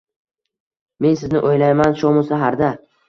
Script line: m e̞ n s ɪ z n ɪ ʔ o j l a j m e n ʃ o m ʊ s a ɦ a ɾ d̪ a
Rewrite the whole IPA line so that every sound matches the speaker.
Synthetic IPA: m e̞ n s ɪ z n ɪ ʔ o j l a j m a n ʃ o m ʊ s a ɦ a ɾ d̪ a